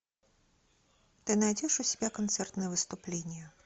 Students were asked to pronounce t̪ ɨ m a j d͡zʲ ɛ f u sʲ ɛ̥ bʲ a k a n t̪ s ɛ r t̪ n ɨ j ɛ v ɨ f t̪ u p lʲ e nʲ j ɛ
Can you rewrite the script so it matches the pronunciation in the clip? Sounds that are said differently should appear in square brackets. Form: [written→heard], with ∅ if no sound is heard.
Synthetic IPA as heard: t̪ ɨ [m→n] a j d͡zʲ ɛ [f→ʂ] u sʲ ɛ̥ bʲ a k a n t̪ s ɛ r t̪ n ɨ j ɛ v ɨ [f→s] t̪ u p lʲ e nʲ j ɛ